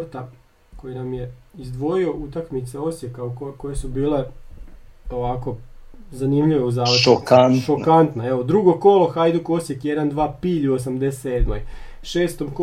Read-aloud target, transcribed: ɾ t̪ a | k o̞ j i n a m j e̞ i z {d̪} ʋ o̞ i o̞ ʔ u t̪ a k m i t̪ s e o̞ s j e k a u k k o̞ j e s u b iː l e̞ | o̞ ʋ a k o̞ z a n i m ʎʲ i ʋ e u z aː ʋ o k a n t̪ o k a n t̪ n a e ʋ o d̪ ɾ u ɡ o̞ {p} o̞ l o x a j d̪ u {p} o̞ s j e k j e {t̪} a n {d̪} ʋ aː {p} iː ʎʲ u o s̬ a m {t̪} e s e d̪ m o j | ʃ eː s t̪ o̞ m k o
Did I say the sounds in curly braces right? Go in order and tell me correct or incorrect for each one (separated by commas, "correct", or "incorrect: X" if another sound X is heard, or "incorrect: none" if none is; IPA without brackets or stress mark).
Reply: correct, incorrect: k, incorrect: k, incorrect: d̪, correct, correct, incorrect: d̪